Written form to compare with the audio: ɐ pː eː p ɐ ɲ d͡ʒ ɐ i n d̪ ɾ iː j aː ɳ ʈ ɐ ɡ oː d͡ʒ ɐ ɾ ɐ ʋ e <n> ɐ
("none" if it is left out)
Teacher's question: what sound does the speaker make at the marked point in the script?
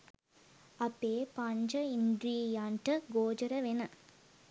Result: n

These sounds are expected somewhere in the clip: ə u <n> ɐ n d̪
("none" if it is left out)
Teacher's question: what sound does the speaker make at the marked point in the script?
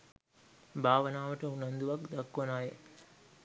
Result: n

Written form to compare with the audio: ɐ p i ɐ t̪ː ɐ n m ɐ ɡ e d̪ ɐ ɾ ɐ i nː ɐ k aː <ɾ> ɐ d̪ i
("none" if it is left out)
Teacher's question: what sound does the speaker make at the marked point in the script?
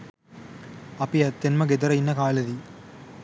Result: l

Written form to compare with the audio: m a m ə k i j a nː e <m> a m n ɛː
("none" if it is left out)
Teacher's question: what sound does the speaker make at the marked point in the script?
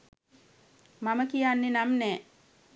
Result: n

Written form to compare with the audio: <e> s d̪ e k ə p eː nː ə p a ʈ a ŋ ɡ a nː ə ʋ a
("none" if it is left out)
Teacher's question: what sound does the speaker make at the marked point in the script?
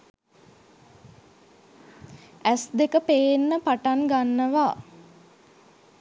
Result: æ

